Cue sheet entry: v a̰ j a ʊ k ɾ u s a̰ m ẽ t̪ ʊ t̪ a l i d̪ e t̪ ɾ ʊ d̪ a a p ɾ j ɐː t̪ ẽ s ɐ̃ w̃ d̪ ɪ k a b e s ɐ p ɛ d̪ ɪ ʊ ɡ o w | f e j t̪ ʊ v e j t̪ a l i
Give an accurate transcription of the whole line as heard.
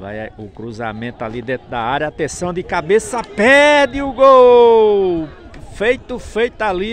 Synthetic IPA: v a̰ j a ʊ k ɾ u z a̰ m ẽ t̪ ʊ a l i d̪ ẽ t̪ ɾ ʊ d̪ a a ɾ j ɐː t̪ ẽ s ɐ̃ w̃ d̪ ɪ k a b e s ɐ p ɛ d̪ ɪ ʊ ɡ o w | f e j t̪ ʊ f e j t̪ a l i